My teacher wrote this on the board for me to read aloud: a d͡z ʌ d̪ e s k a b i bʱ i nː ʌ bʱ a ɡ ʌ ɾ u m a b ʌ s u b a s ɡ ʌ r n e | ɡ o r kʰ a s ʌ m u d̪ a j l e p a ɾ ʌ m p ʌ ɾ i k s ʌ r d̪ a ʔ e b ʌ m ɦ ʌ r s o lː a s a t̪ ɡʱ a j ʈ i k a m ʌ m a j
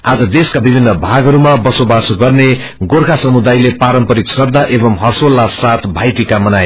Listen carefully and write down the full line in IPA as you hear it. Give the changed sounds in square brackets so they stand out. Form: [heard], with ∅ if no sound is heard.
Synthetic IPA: a d͡z ʌ d̪ e s k a b i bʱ i nː ʌ bʱ a ɡ ʌ ɾ u m a b ʌ s [o] b a s ɡ ʌ r n e | ɡ o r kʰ a s ʌ m u d̪ a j l e p a ɾ ʌ m p ʌ ɾ i k s ʌ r d̪ a ʔ e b ʌ m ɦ ʌ r s o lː a s a t̪ [bʱ] a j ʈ i k a m ʌ [n] a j